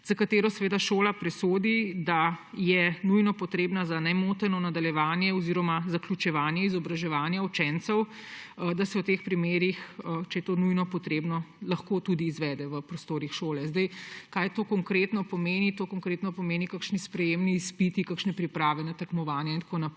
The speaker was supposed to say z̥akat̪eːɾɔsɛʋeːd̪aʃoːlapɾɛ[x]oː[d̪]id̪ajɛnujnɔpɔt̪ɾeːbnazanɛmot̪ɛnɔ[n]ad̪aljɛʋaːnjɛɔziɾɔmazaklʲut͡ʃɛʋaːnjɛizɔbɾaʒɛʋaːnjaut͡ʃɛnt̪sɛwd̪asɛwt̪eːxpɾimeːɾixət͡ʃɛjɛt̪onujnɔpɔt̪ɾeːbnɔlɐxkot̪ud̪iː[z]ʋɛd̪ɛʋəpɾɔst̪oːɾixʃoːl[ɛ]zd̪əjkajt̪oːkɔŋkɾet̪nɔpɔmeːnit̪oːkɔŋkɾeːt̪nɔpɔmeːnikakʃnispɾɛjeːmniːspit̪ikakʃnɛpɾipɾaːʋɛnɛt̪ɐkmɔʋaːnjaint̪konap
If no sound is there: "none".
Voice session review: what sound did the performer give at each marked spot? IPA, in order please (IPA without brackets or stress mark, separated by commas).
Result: s, d̪, n, z, ɛ